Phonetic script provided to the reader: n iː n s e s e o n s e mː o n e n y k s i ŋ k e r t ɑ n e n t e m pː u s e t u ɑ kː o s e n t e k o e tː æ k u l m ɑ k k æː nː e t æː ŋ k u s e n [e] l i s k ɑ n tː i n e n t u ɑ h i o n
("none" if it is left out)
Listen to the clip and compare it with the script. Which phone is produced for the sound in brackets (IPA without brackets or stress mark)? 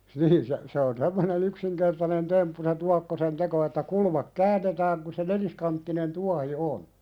e